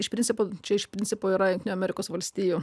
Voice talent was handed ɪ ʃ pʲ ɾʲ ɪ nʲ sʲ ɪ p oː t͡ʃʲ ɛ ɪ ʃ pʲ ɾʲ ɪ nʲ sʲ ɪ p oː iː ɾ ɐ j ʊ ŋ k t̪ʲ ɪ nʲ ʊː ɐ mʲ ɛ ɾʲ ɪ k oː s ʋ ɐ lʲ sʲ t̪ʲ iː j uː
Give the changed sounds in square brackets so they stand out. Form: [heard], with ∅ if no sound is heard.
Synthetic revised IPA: ɪ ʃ pʲ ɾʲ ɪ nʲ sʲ ɪ p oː t͡ʃʲ ɛ ɪ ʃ pʲ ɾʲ ɪ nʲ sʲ ɪ p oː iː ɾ ɐ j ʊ ŋ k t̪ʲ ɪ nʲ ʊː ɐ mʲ ɛ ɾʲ ɪ k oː s ʋ ɐ lʲ sʲ t̪ʲ iː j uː